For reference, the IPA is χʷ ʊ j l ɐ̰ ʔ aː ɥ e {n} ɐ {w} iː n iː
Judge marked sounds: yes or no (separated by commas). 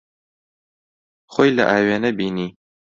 yes, no